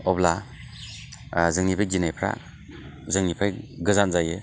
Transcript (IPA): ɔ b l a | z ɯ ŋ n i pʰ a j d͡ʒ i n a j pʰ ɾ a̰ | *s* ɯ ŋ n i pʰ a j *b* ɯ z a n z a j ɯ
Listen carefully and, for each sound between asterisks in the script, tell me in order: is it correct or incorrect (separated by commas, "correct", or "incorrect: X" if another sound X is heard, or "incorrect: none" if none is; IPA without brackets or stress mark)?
incorrect: z, incorrect: ɡ